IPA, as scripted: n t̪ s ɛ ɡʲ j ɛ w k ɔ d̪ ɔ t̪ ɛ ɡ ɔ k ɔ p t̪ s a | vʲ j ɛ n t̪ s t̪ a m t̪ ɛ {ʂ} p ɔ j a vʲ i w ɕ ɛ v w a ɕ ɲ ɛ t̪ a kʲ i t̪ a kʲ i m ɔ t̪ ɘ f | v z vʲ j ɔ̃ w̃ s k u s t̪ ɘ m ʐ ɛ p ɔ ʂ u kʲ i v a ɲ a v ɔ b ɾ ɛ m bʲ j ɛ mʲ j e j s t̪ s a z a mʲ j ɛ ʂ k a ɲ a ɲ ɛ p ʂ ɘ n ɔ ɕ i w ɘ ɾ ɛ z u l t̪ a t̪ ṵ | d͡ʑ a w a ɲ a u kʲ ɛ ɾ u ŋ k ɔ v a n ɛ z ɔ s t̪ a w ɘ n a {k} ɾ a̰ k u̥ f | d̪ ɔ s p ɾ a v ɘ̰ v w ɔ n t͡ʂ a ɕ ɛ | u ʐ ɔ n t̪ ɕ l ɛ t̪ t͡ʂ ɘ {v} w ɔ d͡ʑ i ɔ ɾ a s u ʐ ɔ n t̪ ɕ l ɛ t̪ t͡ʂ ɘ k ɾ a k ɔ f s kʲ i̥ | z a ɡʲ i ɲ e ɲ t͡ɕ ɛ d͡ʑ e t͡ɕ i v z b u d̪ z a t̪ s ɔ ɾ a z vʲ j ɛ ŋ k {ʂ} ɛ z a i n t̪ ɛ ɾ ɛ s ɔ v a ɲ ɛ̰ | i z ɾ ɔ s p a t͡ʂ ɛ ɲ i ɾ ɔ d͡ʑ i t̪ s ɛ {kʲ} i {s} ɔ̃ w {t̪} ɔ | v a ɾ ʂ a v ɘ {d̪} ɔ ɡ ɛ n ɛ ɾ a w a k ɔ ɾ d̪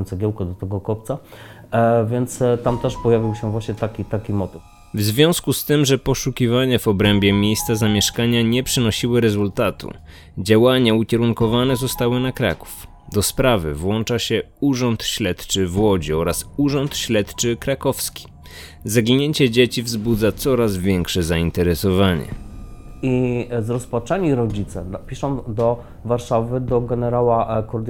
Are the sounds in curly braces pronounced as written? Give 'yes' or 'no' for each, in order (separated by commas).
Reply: yes, yes, yes, yes, no, no, no, yes